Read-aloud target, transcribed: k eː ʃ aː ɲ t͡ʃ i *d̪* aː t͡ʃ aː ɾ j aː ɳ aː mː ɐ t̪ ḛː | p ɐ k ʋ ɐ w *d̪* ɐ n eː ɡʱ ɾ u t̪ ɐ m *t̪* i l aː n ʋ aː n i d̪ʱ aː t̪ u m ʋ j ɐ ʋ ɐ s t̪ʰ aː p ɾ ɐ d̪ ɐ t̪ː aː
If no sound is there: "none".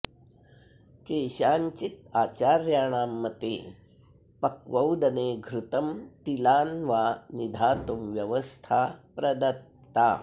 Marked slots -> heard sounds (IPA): t̪, d̪, t̪

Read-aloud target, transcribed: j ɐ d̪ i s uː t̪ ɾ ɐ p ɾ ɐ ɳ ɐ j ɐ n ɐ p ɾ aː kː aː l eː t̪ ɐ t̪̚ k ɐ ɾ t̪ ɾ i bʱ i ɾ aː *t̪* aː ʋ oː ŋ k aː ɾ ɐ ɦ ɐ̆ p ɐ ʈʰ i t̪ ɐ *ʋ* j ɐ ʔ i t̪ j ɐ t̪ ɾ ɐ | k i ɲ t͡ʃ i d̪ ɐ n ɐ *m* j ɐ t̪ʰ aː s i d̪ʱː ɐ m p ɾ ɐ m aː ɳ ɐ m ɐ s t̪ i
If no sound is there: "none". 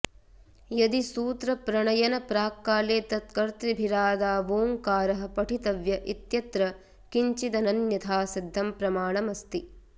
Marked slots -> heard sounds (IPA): d̪, ʋ, n

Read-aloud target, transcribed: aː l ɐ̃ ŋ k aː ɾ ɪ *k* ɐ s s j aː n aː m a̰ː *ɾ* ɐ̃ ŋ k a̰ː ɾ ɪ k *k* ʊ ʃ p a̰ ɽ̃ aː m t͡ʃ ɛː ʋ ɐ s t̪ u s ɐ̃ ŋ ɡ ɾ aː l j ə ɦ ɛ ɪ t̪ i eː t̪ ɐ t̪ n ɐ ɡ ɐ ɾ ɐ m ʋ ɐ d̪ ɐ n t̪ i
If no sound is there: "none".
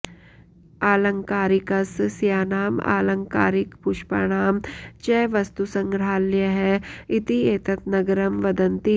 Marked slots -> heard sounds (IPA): k, l, p

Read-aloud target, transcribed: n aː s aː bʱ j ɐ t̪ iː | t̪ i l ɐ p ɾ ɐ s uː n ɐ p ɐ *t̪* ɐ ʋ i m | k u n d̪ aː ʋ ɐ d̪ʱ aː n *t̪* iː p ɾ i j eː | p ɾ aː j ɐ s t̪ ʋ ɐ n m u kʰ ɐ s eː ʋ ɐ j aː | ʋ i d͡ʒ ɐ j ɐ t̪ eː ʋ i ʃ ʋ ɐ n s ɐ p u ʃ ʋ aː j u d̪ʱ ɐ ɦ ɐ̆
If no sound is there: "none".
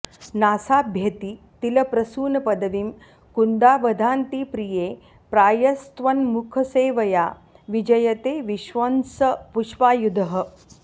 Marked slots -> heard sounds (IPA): d̪, t̪

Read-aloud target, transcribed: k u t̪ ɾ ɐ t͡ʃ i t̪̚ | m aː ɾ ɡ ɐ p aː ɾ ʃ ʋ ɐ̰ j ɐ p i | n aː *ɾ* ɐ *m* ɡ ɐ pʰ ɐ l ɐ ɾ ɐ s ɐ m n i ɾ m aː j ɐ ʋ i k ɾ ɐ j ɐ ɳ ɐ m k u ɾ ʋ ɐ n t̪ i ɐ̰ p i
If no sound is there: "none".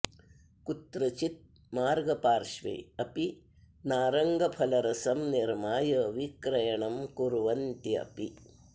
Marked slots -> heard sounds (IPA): ɾ, ŋ

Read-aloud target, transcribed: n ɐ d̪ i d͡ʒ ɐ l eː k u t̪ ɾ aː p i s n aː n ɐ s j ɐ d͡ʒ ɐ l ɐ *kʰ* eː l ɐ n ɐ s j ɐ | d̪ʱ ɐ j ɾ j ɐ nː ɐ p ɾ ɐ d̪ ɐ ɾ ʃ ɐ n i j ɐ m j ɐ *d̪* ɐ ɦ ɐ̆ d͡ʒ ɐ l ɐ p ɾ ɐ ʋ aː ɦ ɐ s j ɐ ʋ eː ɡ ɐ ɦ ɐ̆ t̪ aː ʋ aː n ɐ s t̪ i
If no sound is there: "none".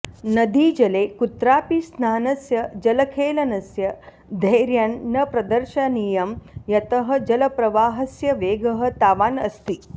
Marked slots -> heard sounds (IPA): kʰ, t̪

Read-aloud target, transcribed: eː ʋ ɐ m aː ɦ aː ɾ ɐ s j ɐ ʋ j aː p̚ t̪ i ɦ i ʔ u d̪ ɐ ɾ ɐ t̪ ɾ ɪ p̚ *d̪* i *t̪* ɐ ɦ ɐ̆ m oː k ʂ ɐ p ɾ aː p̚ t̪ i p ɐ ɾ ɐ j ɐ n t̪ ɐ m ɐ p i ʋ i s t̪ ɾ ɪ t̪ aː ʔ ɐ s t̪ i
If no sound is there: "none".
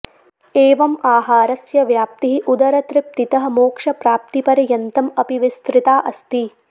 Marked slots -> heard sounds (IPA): t̪, t̪

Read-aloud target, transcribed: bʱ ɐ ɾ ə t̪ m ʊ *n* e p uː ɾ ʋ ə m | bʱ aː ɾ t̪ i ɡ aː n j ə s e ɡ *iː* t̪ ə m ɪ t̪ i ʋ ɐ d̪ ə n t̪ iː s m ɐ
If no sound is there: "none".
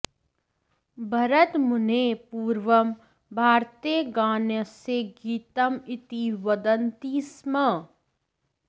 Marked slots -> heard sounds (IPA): n, iː

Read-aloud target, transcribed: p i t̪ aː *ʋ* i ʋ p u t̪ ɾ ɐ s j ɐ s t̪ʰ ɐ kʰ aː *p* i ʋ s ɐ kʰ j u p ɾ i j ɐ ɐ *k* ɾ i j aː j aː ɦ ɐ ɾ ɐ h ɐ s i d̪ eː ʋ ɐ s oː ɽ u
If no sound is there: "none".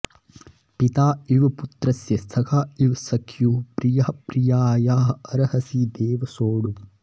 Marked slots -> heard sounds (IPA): none, none, p

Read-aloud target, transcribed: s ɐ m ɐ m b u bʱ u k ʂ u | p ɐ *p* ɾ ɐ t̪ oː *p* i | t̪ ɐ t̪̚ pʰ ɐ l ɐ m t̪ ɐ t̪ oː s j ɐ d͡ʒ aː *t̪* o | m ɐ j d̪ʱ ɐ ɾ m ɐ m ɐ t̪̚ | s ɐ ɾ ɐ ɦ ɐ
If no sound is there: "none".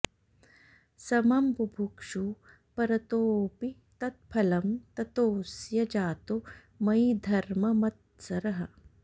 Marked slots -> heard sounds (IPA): none, p, t̪

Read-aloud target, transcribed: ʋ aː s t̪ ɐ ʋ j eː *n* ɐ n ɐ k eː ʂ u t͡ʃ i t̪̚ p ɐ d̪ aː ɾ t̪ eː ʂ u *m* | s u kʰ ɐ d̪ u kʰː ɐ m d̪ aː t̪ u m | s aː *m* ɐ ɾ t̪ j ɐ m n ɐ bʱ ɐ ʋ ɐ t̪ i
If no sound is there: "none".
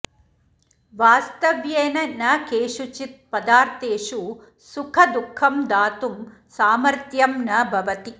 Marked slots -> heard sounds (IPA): n, none, m

